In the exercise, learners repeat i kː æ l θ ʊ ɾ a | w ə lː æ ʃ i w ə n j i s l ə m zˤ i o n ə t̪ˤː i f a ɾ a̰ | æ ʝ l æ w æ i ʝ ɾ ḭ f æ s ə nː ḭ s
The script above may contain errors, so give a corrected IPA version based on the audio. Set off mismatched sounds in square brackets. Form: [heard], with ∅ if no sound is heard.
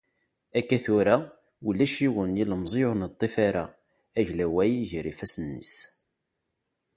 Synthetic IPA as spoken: [æ] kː æ [∅] θ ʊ ɾ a | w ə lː æ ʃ i w ə n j i [∅] l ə m zˤ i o n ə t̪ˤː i f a ɾ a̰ | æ ʝ l æ w æ [j] ʝ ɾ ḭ f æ s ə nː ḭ s